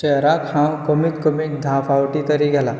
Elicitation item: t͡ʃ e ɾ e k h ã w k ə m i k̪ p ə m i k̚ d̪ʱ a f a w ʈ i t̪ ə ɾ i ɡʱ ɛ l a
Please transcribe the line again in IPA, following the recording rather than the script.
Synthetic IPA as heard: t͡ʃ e ɾ a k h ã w k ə m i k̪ k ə m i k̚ d̪ʱ a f a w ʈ i t̪ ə ɾ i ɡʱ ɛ l a